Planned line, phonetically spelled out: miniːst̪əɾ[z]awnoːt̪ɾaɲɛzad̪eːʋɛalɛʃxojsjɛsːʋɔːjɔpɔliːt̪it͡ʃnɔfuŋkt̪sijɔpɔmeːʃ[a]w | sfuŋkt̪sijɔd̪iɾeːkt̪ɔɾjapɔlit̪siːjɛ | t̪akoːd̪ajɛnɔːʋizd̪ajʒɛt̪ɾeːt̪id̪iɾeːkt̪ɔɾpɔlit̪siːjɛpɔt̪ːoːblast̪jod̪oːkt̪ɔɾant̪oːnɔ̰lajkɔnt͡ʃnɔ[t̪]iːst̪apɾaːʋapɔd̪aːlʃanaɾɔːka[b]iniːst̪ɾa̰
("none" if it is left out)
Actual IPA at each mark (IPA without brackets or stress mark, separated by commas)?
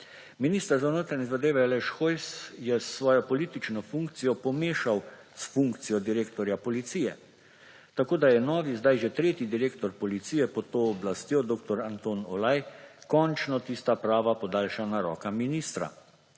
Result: z, a, t̪, m